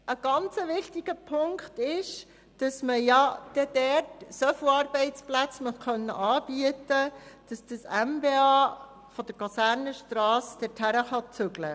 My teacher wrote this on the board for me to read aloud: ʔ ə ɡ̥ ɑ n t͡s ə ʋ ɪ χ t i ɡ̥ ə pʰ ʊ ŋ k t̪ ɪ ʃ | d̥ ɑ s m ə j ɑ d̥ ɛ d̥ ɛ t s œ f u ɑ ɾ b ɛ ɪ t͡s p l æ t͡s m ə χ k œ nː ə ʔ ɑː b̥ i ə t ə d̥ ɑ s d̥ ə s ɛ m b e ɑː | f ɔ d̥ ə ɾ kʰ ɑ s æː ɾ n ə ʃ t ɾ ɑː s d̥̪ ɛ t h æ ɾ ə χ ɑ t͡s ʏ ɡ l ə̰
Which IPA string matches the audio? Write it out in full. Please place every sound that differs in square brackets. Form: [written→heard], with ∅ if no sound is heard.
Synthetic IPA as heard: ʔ ə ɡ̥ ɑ n t͡s ə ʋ ɪ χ t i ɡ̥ ə pʰ ʊ ŋ k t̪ ɪ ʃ | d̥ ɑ s m ə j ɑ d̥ ɛ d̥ ɛ t s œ f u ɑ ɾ b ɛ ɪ t͡s p l æ t͡s m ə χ k œ nː ə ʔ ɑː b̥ i ə t ə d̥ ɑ s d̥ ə s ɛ m b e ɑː | f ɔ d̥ ə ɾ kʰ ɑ s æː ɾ n ə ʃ t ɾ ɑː s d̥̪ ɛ t h æ ɾ ə χ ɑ t͡s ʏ ɡ l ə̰